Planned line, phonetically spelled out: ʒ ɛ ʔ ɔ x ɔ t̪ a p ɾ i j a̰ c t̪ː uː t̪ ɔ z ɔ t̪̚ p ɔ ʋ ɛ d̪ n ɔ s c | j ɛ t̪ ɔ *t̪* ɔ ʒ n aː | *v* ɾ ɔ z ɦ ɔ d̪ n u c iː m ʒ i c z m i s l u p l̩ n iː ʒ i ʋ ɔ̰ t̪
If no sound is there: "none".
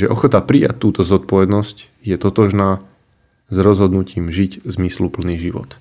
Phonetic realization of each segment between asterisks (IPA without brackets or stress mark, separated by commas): t̪, z